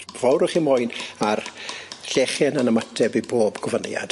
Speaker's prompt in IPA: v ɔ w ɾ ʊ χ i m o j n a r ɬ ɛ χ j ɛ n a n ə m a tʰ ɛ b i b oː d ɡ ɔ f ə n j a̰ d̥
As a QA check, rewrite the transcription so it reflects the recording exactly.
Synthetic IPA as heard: v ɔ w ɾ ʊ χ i m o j n a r ɬ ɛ χ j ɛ n a n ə m a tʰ ɛ b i b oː b ɡ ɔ v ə n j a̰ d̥